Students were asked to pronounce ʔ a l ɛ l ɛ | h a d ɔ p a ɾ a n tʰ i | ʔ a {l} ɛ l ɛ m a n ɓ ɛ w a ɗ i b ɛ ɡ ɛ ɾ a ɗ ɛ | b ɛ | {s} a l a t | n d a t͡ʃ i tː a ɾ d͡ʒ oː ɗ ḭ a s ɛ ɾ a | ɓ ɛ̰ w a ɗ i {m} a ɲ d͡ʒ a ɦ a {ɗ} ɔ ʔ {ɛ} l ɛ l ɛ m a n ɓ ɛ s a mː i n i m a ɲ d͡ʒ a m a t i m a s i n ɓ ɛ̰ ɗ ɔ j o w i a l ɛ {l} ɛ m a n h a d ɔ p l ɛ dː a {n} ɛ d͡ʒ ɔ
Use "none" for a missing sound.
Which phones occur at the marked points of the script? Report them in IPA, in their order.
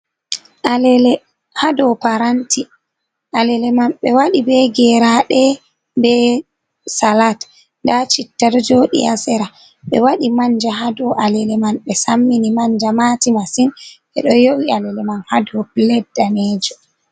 l, s, m, d, a, l, n

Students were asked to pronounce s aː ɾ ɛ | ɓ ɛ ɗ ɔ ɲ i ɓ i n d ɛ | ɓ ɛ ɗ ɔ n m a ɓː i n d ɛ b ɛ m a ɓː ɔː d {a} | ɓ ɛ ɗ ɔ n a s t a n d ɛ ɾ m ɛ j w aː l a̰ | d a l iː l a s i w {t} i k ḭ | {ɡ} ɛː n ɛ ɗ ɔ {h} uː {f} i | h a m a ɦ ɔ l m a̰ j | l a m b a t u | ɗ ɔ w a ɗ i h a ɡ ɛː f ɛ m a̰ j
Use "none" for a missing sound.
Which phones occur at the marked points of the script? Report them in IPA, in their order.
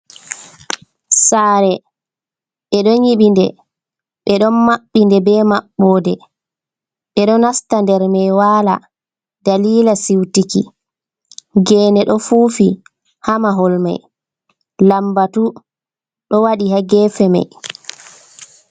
ɛ, t, ɡ, f, f

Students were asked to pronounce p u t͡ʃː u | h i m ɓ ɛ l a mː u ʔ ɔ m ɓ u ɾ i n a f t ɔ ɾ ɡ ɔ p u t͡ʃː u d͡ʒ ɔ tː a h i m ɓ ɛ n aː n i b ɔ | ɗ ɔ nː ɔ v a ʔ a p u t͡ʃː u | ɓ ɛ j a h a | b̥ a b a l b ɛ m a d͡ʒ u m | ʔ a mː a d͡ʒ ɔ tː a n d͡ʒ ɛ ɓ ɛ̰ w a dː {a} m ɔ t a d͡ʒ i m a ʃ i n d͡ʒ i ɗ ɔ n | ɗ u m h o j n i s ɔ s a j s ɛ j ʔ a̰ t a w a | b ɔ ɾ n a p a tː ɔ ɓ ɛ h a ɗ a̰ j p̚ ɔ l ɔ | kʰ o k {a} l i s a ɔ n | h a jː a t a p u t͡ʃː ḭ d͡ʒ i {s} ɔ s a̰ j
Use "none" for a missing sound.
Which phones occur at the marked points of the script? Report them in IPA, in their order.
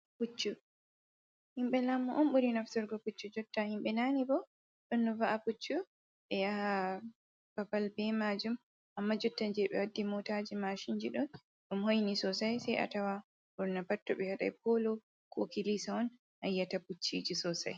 i, i, s

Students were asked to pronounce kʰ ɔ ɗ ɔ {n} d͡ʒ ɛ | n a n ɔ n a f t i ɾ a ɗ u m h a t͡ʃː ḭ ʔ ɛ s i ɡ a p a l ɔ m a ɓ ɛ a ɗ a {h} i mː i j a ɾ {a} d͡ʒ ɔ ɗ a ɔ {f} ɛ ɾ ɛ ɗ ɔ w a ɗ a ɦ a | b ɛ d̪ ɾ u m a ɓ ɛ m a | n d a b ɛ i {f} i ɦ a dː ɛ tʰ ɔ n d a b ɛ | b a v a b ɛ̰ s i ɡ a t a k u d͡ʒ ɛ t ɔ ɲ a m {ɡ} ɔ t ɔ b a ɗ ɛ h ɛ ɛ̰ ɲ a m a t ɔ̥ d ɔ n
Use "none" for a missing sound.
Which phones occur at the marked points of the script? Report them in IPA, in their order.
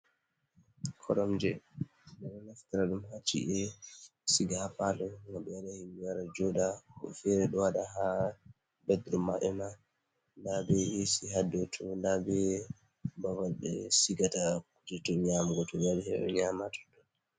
m, h, a, f, s, ɡ

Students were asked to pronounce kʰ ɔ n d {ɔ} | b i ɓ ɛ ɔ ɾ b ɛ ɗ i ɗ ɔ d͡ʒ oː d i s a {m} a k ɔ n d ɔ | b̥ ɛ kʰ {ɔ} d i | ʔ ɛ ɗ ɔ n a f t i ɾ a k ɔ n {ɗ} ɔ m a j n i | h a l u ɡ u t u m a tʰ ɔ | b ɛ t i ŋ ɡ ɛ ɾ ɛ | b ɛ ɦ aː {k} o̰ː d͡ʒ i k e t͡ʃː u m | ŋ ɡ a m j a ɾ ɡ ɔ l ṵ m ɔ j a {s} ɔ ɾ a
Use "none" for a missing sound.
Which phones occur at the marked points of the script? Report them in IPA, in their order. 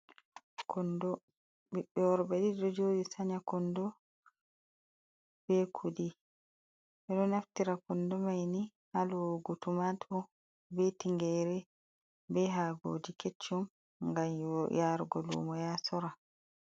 ɔ, ɲ, u, d, ɡ, s

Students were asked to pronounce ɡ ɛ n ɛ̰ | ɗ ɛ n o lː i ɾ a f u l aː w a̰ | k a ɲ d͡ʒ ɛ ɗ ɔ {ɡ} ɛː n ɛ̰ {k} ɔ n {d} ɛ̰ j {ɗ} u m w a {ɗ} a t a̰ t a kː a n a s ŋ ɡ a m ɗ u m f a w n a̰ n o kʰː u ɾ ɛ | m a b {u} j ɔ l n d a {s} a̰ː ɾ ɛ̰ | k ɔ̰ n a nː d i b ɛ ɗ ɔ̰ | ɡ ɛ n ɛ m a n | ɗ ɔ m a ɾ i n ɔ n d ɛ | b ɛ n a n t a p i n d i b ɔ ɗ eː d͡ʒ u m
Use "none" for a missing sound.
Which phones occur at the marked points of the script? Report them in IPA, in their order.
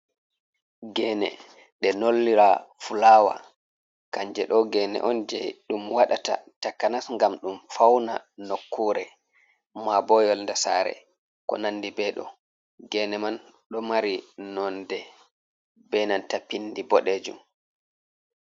ɡ, ʔ, d͡ʒ, ɗ, ɗ, ɔ, s

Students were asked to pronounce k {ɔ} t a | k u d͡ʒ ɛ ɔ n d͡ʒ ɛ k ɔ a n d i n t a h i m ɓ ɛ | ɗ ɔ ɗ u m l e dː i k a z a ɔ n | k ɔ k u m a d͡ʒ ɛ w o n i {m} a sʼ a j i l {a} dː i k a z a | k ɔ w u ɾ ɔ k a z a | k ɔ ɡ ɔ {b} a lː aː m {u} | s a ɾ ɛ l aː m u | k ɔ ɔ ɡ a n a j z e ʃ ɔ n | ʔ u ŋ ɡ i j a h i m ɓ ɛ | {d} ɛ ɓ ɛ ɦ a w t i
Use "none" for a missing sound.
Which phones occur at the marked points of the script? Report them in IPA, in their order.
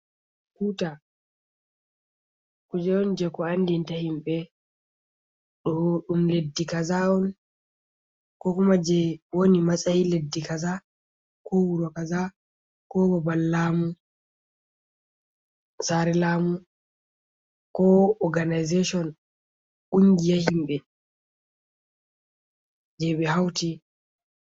u, m, e, b, u, d͡ʒ

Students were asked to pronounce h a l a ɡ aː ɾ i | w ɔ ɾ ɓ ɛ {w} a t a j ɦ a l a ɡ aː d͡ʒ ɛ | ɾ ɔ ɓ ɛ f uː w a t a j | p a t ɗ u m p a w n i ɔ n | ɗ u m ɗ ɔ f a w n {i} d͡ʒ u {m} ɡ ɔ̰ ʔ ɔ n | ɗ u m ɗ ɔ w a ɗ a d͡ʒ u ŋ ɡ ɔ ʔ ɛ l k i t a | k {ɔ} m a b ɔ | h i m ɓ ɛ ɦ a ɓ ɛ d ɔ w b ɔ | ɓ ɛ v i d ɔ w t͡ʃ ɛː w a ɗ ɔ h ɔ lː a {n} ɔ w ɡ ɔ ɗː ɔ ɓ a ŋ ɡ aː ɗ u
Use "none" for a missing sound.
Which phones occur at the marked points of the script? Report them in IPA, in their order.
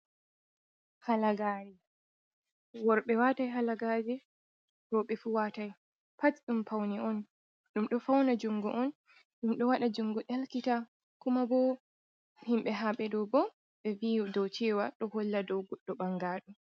w, a, ŋ, u, d

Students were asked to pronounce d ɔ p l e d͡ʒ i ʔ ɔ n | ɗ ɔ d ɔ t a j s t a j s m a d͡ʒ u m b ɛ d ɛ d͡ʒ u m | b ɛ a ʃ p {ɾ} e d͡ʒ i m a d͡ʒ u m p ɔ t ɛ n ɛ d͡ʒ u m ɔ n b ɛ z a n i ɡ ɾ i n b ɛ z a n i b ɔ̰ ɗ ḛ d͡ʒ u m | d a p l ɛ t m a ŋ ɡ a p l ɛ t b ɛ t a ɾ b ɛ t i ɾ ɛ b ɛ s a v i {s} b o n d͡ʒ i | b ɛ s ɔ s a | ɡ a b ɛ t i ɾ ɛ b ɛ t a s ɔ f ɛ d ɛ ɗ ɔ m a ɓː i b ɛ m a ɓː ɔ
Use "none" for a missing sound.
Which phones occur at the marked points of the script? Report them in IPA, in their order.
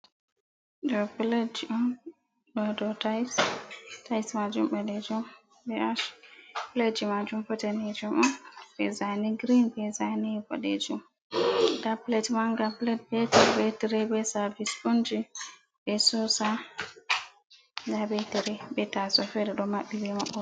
l, s

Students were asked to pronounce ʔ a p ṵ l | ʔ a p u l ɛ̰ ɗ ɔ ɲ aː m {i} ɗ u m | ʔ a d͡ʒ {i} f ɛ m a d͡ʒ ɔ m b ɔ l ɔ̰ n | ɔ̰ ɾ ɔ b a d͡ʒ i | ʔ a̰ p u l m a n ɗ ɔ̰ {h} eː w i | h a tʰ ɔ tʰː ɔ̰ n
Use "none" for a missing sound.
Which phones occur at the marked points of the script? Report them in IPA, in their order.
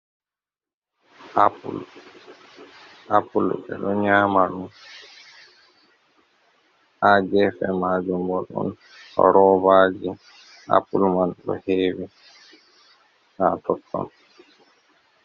a, ɛ, h

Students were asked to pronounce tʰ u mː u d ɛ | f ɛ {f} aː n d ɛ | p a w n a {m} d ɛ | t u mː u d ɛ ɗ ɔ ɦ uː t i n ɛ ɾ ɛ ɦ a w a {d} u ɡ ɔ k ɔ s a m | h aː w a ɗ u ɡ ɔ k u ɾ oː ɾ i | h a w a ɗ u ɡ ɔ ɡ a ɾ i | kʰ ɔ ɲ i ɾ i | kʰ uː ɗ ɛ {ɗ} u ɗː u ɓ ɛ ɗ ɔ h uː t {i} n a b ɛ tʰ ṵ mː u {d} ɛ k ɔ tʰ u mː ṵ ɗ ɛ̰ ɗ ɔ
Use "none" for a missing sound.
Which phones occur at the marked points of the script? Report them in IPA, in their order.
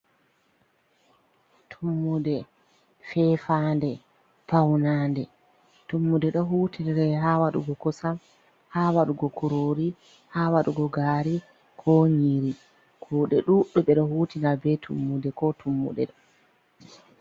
f, n, ɗ, ɗ, i, d

